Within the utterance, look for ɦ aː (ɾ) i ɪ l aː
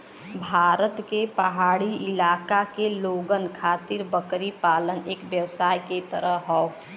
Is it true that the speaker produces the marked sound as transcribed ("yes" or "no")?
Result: no